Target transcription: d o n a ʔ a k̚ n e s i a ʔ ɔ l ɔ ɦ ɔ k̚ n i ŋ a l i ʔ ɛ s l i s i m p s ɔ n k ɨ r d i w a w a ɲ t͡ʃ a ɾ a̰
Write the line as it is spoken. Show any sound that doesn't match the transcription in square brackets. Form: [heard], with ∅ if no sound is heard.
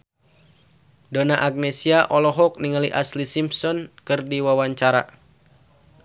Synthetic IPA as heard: d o n a ʔ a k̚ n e s i a ʔ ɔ l ɔ ɦ ɔ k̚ n i ŋ a l i ʔ [a] s l i s i m p s ɔ n k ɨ r d i w a w a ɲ t͡ʃ a ɾ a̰

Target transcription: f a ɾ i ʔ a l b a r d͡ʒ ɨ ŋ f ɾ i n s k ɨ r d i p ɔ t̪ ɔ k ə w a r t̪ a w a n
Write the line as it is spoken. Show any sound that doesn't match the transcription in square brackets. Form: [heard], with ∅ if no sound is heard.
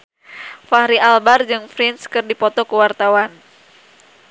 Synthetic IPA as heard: f a ɾ i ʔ a l b a r d͡ʒ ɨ ŋ f ɾ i n s k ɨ r d i p ɔ t̪ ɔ k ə w a r t̪ a w a n

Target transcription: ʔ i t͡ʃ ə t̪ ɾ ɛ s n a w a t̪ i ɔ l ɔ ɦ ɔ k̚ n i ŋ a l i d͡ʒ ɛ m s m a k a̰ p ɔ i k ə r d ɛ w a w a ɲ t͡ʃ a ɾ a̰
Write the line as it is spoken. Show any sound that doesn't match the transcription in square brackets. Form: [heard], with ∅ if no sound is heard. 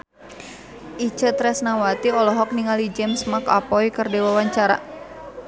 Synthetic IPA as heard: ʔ i t͡ʃ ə t̪ ɾ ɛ s n a w a t̪ i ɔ l ɔ ɦ ɔ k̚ n i ŋ a l i d͡ʒ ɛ m s m a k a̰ p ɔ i k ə r d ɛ w a w a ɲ t͡ʃ a ɾ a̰

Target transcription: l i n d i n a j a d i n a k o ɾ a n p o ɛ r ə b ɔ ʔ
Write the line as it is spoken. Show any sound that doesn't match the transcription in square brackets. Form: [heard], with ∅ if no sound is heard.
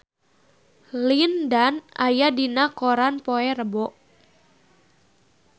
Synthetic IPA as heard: l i n d [a] n a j a d i n a k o ɾ a n p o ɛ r ə b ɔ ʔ

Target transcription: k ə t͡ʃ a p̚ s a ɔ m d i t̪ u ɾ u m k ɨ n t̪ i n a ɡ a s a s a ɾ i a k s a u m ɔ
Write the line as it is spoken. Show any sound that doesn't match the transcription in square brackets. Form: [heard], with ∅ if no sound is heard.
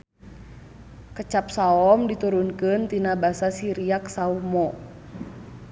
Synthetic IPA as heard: k ə t͡ʃ a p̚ s a ɔ m d i t̪ u ɾ u [n] k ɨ n t̪ i n a [b] a s a s [i] ɾ i a k s a u m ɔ

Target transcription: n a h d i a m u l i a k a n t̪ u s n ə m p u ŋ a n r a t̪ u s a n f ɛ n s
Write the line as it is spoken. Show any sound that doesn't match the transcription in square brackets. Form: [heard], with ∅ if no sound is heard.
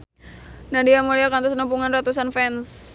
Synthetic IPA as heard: n a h d i a m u l i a k a n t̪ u s n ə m p u ŋ a n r a t̪ u s a n f ɛ n s

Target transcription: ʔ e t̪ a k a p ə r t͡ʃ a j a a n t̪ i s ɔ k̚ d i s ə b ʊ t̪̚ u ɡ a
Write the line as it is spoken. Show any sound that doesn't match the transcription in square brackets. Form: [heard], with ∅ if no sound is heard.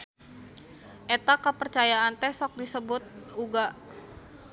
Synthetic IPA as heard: ʔ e t̪ a k [ə] p ə r t͡ʃ a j a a n t̪ [ɛ] s ɔ k̚ d i s ə b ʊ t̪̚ u ɡ a

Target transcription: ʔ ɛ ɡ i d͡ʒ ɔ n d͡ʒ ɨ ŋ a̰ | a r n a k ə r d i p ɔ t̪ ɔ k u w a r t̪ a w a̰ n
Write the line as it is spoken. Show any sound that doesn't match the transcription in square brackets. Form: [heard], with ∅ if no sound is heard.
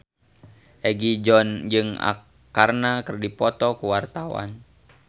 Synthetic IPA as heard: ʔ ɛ ɡ i d͡ʒ ɔ n d͡ʒ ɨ ŋ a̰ | a r n a k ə r d i p ɔ t̪ ɔ k u w a r t̪ a w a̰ n

